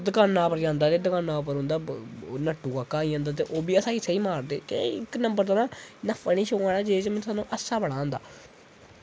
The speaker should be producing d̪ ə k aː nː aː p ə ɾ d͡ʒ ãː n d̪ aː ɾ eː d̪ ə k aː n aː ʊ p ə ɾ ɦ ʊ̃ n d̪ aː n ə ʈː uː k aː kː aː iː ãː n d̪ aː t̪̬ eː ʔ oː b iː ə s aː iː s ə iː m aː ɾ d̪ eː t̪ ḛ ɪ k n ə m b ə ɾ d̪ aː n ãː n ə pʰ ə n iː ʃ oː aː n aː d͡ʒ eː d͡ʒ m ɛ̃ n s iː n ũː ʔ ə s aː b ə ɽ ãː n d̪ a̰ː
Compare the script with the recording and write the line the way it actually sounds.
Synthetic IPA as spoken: d̪ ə k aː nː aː p ə ɾ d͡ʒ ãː n d̪ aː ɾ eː d̪ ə k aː n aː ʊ p ə ɾ ɦ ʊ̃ n d̪ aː n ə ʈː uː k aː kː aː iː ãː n d̪ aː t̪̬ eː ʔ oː b iː ə s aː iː s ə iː m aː ɾ d̪ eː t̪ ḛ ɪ k n ə m b ə ɾ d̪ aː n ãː n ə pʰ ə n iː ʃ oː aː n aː d͡ʒ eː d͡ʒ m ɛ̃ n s aː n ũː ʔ ə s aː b ə ɽ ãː n d̪ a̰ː